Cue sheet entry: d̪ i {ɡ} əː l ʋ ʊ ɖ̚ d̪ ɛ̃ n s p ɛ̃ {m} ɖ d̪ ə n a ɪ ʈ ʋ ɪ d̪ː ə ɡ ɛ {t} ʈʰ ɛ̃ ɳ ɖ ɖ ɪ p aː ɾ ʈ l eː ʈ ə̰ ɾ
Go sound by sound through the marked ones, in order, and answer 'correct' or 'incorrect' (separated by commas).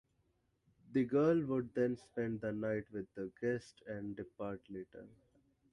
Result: correct, incorrect, incorrect